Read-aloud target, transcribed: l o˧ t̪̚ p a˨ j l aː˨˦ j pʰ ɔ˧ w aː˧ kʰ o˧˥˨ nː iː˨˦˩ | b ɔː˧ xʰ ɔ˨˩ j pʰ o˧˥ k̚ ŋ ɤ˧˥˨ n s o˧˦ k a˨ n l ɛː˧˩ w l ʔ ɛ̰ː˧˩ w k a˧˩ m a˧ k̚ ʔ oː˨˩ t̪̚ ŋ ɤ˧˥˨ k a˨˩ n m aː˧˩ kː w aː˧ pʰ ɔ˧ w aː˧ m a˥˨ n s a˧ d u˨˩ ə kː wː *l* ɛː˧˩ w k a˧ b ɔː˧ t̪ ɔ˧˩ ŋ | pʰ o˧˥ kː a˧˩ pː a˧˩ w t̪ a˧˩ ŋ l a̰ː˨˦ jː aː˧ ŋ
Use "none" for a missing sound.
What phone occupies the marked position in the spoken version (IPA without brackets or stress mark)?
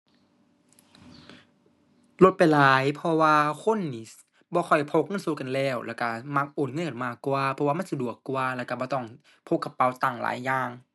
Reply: l